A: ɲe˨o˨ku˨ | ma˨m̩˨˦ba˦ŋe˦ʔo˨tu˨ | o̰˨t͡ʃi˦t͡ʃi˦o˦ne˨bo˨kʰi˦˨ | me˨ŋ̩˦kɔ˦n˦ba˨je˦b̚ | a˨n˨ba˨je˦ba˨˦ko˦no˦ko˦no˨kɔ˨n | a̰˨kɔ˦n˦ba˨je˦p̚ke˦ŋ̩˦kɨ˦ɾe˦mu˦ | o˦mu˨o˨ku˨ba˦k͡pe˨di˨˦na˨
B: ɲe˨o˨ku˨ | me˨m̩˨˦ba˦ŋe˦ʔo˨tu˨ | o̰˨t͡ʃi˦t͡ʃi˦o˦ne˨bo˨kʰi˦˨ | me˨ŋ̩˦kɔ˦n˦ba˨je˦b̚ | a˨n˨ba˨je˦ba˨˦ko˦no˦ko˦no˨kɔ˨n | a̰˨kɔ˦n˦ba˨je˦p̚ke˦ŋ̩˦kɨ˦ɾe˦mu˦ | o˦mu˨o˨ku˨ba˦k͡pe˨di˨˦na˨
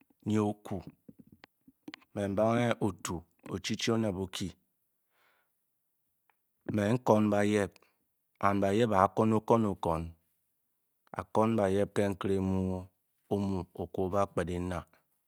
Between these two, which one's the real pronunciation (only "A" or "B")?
B